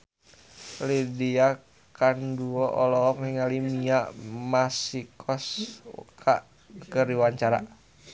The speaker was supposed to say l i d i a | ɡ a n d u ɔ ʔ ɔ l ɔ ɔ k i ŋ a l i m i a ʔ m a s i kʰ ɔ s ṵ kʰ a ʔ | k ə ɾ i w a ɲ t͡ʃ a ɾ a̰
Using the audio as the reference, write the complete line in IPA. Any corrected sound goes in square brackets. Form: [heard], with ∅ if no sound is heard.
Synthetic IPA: l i d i a | [k] a n d u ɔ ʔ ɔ l ɔ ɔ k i ŋ a l i m i a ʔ m a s i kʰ ɔ s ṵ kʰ a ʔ | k ə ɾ i w a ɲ t͡ʃ a ɾ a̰